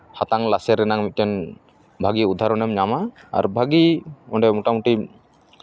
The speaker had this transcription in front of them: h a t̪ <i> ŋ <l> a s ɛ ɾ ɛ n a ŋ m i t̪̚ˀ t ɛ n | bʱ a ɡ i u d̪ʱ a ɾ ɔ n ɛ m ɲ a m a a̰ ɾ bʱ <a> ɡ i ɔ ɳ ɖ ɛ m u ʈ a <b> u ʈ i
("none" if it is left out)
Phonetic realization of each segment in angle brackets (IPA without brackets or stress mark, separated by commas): a, l, a, m